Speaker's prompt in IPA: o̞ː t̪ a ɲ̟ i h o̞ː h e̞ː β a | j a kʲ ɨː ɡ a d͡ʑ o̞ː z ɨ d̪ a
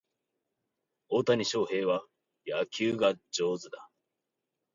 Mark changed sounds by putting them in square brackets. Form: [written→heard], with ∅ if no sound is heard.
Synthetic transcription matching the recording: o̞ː t̪ a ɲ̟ i [h→ɕ] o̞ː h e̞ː β a | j a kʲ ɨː ɡ a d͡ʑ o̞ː z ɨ d̪ a